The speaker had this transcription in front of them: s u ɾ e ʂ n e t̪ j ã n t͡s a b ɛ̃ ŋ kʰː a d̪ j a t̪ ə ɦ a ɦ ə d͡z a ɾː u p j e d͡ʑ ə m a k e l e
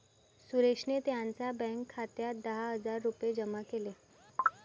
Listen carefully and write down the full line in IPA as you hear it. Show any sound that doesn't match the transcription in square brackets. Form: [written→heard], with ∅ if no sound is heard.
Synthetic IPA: s u ɾ e ʂ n e t̪ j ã n t͡s a b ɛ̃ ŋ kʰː a [d̪→t̪] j a [t̪→d̪] ə ɦ a ɦ ə d͡z a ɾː u p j e d͡ʑ ə m a k e l e